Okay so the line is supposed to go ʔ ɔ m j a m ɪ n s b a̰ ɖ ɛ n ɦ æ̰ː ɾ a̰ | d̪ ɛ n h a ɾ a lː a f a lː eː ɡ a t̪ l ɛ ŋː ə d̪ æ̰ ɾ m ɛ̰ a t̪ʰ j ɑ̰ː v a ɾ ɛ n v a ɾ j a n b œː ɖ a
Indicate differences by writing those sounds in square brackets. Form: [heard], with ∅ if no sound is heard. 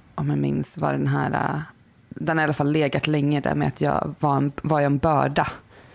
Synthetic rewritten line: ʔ ɔ m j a m ɪ n s [v] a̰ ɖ ɛ n ɦ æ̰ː ɾ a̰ | d̪ ɛ n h a ɾ a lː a f a lː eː ɡ a t̪ l ɛ ŋː ə d̪ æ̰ ɾ m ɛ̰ a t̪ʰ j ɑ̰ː v a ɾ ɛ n v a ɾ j [ɛ] n b œː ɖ a